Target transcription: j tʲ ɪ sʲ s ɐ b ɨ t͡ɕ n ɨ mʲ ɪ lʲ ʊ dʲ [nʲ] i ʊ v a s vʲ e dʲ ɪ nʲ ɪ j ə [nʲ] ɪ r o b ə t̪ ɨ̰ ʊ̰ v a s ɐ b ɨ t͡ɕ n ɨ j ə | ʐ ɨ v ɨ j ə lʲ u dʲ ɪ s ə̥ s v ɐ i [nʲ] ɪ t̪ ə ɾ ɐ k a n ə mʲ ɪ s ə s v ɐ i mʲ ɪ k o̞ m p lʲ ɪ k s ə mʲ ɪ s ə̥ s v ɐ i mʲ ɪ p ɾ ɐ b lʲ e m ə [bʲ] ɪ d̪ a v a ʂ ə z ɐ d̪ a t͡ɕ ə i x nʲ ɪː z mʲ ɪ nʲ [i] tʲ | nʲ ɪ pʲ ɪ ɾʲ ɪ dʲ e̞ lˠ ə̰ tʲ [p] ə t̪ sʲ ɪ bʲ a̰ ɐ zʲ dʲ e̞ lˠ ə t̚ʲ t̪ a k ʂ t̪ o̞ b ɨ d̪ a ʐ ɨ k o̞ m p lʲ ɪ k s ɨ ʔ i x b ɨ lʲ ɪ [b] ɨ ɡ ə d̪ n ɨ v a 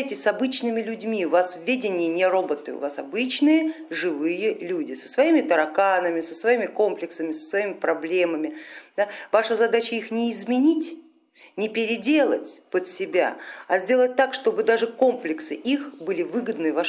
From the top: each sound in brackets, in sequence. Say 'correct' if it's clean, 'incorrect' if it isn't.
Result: incorrect: mʲ, correct, incorrect: mʲ, incorrect: mʲ, correct, correct, incorrect: v

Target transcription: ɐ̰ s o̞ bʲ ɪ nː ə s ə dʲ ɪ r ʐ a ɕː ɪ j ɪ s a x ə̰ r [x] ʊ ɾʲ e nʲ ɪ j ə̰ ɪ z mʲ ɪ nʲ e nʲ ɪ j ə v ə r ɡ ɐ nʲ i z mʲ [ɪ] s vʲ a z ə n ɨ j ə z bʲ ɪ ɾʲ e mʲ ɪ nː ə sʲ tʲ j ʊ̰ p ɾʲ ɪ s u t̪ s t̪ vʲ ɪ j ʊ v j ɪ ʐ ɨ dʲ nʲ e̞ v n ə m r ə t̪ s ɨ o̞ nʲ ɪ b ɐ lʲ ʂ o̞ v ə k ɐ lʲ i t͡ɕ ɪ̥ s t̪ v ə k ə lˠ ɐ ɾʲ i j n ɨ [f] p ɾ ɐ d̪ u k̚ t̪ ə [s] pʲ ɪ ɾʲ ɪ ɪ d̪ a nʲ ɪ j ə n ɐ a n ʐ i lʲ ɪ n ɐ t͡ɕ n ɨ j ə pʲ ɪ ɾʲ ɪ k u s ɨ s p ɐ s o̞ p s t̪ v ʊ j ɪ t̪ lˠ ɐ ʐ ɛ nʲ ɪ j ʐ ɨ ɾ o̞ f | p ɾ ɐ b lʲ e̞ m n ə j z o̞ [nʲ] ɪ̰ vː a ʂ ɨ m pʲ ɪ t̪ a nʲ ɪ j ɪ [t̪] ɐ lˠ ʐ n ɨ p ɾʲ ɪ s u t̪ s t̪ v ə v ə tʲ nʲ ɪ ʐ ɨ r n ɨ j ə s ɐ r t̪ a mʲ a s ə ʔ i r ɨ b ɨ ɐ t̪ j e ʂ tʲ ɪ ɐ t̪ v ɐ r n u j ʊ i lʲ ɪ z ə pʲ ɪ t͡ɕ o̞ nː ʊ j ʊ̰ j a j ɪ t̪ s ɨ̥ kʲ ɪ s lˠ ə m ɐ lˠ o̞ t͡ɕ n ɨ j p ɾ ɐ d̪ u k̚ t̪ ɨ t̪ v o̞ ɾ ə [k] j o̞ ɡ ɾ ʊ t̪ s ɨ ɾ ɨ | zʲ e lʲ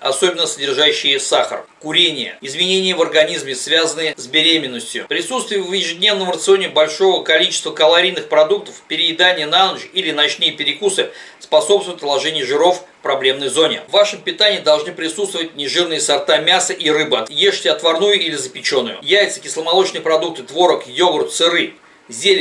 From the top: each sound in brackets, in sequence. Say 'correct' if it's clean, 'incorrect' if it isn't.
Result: incorrect: k, correct, incorrect: x, incorrect: f, correct, incorrect: d̪, correct

